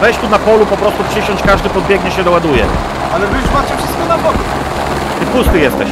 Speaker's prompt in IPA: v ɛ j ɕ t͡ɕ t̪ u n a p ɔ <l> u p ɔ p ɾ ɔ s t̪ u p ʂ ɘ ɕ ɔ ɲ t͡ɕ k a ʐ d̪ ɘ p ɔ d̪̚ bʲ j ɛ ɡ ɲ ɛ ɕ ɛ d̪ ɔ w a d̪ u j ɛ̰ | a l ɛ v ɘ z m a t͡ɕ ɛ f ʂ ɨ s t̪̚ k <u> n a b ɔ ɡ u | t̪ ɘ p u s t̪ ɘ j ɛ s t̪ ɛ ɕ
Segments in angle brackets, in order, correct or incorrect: correct, incorrect

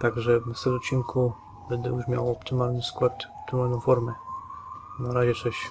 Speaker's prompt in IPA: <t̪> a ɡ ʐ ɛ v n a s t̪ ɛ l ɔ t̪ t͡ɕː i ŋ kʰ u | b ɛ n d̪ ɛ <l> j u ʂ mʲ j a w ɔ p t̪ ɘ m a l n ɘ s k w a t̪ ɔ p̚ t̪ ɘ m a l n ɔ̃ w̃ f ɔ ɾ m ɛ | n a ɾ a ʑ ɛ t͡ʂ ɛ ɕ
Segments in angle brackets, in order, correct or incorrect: correct, incorrect

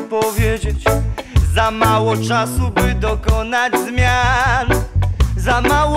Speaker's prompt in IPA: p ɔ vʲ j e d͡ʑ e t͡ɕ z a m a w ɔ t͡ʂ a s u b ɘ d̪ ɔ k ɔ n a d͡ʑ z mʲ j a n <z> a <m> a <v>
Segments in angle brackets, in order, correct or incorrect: correct, correct, incorrect

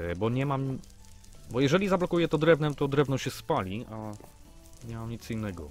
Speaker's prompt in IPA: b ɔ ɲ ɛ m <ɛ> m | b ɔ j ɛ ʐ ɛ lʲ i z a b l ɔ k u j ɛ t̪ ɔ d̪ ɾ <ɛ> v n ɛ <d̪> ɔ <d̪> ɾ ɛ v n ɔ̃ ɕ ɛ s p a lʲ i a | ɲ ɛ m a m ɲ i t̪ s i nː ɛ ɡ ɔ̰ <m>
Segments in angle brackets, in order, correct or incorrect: incorrect, correct, incorrect, correct, incorrect

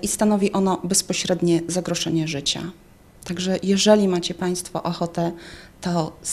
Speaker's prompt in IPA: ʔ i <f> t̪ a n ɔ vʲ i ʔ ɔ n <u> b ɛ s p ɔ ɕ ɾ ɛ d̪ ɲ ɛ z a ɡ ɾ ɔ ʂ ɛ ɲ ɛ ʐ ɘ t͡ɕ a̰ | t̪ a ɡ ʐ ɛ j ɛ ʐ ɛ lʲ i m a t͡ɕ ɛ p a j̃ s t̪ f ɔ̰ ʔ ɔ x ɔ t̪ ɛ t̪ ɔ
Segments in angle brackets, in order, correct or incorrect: incorrect, incorrect

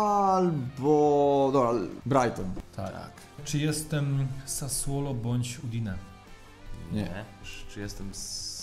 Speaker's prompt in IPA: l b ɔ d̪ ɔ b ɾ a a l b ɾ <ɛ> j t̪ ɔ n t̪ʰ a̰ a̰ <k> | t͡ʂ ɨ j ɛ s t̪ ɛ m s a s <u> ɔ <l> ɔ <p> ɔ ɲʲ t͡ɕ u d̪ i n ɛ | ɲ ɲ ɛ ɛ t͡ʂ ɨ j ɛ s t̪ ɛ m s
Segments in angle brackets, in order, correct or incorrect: incorrect, correct, incorrect, correct, incorrect

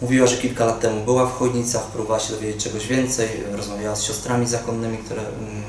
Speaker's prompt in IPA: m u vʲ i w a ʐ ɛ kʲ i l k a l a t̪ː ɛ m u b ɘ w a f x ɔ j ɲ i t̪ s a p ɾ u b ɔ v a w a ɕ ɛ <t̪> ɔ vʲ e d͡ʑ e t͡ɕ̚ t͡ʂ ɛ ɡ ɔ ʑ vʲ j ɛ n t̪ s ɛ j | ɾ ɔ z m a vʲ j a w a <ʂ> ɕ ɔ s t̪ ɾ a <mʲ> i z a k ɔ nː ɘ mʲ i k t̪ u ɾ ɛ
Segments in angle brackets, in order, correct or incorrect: incorrect, incorrect, correct

